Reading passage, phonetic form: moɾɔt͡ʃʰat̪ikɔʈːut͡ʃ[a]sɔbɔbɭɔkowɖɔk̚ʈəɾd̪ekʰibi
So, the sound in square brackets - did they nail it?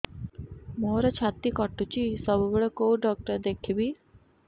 no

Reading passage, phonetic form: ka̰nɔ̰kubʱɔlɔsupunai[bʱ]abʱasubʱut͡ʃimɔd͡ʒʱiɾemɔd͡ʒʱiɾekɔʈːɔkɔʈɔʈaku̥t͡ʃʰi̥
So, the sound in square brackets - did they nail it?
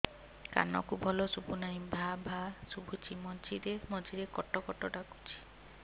yes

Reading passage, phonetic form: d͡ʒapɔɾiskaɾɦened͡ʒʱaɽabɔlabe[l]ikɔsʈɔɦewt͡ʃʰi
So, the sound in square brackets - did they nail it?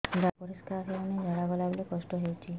yes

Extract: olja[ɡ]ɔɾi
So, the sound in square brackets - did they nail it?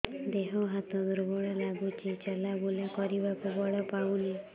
no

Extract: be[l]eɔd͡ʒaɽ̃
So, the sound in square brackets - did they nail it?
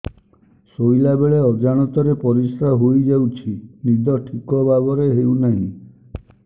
no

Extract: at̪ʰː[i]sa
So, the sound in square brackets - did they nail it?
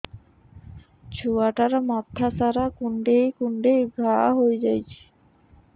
no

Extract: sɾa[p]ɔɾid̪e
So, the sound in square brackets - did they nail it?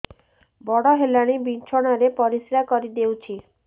no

